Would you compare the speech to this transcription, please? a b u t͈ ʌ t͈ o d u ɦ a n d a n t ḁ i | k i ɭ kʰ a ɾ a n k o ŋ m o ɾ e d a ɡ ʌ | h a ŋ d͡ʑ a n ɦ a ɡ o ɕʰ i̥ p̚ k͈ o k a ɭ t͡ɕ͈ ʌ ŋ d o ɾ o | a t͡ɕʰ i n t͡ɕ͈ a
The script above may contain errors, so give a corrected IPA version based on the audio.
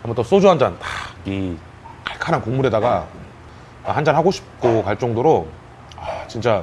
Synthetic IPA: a m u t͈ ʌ s͈ o d͡ʑ u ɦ a n d͡ʑ a n t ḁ i | k a ɭ kʰ a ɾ a n k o ŋ m u ɾ e d a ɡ a | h a n d͡ʑ a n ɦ a ɡ o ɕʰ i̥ p̚ k͈ o k a ɭ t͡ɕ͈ ʌ ŋ d o ɾ o | a t͡ɕ i n t͡ɕ͈ a